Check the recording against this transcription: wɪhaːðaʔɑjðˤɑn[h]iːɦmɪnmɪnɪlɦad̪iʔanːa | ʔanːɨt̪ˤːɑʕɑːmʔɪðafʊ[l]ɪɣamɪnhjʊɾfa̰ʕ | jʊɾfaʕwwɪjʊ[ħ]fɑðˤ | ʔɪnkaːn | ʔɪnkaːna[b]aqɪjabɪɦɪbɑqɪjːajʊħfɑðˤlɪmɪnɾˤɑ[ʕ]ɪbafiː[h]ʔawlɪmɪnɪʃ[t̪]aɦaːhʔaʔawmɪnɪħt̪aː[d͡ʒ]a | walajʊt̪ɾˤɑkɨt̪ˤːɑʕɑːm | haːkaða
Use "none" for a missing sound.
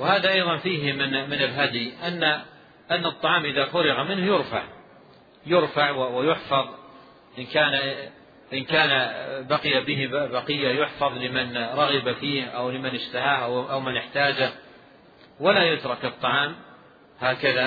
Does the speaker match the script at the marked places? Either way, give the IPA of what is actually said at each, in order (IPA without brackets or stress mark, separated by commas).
f, ɾ, ħ, b, ɣ, h, t̪, d͡ʒ